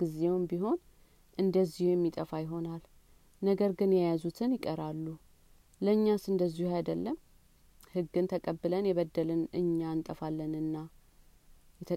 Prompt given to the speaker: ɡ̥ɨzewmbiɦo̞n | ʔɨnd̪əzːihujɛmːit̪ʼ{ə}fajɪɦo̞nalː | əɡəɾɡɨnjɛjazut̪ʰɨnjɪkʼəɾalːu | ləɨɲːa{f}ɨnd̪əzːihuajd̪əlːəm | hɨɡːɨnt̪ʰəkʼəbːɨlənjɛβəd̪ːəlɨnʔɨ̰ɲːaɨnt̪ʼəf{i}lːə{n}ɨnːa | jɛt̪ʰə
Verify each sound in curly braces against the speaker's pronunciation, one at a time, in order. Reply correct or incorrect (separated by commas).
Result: correct, incorrect, incorrect, correct